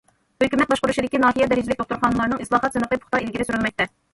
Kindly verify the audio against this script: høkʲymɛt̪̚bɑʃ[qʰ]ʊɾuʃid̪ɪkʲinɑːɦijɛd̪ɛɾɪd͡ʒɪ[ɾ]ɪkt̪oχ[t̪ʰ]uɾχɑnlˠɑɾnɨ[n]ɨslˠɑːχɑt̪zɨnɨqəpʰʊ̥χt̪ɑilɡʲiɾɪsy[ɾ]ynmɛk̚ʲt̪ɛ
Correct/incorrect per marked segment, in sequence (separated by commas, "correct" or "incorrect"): incorrect, incorrect, incorrect, incorrect, correct